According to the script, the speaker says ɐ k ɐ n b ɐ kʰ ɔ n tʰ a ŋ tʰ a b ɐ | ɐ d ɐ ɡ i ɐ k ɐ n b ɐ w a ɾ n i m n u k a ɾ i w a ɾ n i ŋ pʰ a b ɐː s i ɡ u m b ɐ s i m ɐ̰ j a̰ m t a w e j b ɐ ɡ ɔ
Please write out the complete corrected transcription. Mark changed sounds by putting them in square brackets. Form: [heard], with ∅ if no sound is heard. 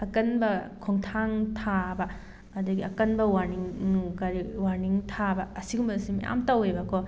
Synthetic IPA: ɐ k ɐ n b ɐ kʰ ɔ [ŋ] tʰ a ŋ tʰ a b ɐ | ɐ d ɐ ɡ i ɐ k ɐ n b ɐ w a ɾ n i [ŋ] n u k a ɾ i w a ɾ n i ŋ [tʰ] a b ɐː s i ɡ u m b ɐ s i m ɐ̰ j a̰ m t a w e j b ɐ [k] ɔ